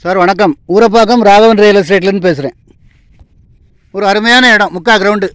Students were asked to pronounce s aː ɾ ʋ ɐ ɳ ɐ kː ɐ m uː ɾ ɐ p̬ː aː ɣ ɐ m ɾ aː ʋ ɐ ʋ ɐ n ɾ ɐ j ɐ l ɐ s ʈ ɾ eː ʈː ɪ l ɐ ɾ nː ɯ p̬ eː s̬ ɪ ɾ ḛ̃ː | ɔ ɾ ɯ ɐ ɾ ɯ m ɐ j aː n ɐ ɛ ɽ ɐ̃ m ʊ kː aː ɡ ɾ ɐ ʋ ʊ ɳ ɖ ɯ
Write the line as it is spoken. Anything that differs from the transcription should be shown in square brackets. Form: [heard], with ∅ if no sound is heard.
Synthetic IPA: s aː ɾ ʋ ɐ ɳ ɐ kː ɐ m uː ɾ ɐ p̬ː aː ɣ ɐ m ɾ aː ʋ ɐ ʋ ɐ n ɾ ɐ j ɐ l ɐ s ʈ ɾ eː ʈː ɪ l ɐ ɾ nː ɯ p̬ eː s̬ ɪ ɾ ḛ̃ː | ɔ ɾ ɯ ɐ ɾ ɯ m ɐ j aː n ɐ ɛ ɽ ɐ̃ m ʊ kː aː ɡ ɾ ɐ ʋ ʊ ɳ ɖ ɯ